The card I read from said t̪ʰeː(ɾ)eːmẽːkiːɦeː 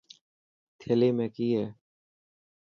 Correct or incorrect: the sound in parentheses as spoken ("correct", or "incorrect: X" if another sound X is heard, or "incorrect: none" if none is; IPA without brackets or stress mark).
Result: incorrect: l